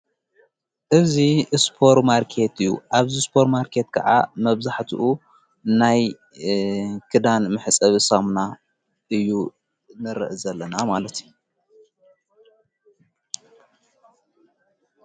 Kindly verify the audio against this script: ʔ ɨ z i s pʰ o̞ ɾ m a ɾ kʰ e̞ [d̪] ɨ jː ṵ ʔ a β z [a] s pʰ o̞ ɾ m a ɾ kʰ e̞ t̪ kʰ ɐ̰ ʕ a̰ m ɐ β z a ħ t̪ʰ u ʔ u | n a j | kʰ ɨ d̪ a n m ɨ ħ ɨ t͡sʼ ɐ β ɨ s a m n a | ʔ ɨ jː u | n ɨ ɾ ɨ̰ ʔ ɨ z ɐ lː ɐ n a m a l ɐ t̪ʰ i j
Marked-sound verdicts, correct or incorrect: incorrect, incorrect

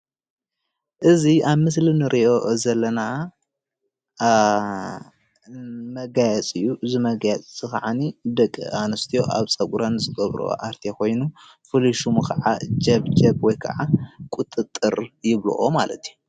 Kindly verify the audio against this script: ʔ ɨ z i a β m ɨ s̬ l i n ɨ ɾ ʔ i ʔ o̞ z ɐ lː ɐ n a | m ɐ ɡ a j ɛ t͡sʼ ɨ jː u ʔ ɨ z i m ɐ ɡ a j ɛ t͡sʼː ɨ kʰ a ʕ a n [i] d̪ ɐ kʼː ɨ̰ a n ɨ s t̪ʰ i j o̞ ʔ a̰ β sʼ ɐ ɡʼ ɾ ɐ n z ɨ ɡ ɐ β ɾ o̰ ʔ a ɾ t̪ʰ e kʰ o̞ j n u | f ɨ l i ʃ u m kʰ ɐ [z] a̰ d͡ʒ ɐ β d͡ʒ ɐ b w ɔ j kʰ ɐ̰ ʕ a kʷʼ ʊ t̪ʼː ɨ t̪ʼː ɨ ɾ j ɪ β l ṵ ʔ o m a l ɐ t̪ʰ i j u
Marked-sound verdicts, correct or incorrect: correct, incorrect

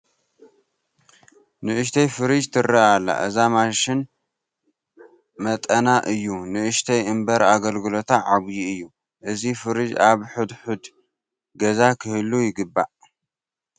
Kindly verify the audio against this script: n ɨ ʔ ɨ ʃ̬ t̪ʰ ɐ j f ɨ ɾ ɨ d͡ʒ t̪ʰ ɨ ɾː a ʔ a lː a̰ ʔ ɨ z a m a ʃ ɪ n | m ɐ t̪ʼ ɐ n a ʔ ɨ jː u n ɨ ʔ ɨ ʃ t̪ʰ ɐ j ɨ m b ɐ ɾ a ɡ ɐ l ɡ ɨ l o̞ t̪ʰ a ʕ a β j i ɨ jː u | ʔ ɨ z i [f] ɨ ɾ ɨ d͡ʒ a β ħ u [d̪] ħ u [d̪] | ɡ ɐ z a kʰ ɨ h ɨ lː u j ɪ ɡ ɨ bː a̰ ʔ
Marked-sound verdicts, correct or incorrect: correct, correct, correct

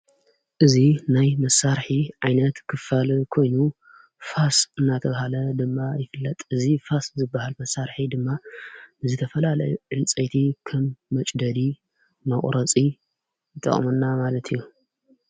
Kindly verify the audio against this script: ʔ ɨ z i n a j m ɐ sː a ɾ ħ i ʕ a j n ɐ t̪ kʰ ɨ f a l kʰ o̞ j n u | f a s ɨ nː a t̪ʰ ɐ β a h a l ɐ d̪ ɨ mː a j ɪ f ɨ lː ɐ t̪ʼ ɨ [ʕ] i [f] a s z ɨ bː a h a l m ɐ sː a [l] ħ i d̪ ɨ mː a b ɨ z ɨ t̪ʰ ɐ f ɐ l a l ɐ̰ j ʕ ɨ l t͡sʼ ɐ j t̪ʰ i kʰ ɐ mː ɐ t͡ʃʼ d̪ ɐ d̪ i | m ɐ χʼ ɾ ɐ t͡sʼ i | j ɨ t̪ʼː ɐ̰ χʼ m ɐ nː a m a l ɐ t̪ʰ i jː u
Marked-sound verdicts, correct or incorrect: incorrect, correct, incorrect

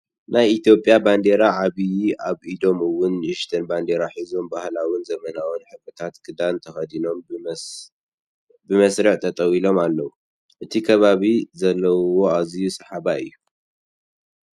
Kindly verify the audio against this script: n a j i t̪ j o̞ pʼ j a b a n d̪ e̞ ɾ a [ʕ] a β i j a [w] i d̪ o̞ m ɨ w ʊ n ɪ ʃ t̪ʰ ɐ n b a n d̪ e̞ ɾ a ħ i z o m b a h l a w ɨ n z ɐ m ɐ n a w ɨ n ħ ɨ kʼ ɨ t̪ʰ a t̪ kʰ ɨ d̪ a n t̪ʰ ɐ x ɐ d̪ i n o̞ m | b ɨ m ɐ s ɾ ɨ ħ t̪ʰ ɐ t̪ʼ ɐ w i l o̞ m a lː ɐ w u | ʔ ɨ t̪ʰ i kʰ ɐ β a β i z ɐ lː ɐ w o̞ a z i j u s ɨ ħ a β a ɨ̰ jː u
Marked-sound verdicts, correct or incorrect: correct, incorrect

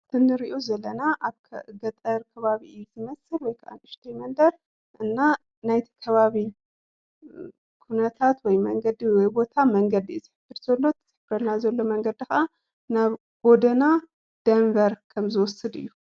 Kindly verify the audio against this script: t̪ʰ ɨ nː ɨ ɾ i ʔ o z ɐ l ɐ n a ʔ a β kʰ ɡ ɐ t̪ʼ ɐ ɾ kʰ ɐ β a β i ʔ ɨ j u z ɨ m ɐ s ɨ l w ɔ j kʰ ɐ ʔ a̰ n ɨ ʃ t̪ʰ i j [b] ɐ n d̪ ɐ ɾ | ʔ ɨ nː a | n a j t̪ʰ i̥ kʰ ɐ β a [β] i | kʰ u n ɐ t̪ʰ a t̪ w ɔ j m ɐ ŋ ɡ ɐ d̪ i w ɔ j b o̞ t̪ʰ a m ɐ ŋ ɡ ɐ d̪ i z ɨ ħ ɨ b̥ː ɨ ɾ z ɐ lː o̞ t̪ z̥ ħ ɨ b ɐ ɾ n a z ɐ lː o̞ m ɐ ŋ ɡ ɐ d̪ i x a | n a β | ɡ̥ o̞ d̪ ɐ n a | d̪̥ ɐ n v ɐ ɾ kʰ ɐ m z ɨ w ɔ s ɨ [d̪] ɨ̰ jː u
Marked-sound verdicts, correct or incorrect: incorrect, correct, correct

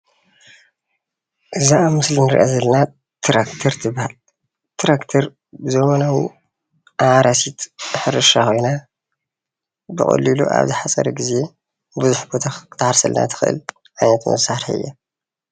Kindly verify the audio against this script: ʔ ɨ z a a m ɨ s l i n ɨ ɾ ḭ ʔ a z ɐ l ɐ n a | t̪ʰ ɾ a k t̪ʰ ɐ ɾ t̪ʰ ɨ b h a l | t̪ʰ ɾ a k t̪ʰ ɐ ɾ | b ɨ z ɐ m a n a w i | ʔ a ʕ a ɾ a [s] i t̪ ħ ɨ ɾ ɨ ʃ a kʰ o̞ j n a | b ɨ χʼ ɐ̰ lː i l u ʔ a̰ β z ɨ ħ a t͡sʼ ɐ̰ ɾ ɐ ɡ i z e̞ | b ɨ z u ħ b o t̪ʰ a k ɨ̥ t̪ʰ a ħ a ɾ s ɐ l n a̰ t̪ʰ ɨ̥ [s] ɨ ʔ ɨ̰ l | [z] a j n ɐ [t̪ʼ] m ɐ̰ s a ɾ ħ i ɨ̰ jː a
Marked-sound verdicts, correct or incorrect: correct, incorrect, incorrect, incorrect

